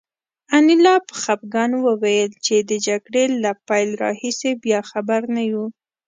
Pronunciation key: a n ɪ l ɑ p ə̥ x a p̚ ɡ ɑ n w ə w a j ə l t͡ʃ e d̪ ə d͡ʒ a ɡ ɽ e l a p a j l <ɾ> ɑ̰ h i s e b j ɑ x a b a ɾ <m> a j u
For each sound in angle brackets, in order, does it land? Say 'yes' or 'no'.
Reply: yes, no

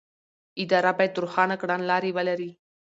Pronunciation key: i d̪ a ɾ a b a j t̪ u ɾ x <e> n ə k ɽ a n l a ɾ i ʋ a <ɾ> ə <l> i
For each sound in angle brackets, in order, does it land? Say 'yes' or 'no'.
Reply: no, no, no

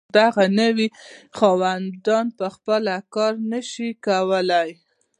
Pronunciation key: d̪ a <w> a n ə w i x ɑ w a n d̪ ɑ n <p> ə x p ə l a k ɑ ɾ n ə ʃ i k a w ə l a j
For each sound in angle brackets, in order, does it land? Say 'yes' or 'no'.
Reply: no, yes

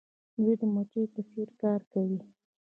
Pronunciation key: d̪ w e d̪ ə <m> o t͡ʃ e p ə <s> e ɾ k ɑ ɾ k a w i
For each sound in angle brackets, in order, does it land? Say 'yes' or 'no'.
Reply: yes, yes

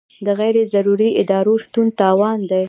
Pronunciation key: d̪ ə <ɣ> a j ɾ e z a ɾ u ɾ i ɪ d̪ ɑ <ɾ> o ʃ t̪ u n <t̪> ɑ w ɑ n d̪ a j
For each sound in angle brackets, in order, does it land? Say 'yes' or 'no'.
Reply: yes, yes, yes

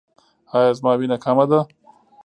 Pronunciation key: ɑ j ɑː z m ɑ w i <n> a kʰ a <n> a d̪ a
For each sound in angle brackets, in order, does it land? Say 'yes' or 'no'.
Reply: yes, no

